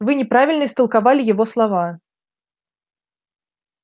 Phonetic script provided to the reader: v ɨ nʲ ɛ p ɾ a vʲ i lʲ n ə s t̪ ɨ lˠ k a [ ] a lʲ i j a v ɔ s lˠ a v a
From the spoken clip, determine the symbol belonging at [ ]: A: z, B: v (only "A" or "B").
B